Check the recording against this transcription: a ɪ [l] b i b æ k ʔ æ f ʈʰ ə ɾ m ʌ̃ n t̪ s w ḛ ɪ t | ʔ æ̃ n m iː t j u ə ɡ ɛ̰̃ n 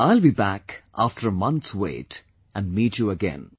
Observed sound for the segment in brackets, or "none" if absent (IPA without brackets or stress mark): l